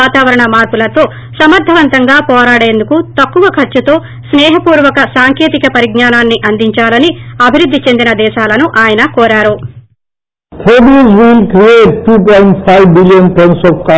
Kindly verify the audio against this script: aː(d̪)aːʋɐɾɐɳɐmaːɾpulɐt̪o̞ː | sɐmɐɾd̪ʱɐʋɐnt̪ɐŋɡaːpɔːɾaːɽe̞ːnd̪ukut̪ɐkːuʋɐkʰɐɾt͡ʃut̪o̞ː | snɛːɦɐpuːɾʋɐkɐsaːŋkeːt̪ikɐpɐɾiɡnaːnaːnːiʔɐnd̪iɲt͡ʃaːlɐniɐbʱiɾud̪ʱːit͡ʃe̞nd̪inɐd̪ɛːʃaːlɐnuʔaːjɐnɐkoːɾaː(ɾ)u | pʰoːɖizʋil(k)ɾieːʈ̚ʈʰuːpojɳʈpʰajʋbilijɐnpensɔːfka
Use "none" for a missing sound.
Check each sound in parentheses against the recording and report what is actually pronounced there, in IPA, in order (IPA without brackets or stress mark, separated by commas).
t̪, ɾ, k